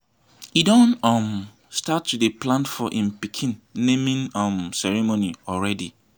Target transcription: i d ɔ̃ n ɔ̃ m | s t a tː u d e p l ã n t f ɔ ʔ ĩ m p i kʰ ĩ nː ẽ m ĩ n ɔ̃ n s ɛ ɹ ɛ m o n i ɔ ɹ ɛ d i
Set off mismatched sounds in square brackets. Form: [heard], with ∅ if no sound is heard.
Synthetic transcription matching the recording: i d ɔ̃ n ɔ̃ m | s t a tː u d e p l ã n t f ɔ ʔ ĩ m p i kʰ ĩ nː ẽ m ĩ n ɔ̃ [m] s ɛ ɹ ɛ m o n i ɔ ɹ ɛ d i